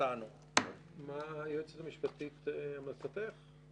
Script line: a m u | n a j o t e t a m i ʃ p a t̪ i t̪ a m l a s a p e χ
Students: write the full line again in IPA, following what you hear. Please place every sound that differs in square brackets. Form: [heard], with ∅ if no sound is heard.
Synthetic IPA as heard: a [n] u | [m] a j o [t͡s] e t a m i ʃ p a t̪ i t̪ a m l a s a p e χ